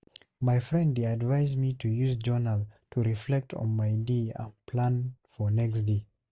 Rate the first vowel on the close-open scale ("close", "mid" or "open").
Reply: open